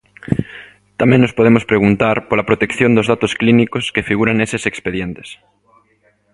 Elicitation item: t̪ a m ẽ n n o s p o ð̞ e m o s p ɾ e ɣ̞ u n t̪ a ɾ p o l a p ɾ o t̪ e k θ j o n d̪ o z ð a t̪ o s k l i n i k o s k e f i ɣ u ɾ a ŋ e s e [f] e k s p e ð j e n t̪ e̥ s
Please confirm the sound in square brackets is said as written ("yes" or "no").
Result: no